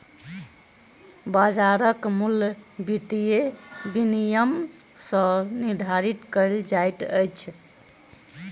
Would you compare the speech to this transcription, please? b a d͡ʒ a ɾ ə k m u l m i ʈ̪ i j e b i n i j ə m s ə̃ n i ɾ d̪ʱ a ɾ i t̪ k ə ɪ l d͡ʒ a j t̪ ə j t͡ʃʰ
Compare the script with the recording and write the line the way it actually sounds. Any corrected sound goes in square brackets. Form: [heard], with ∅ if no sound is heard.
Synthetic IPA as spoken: b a d͡ʒ a ɾ ə k m u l [b] i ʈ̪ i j e b i n i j ə m s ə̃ n i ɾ d̪ʱ a ɾ i t̪ k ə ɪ l d͡ʒ a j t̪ ə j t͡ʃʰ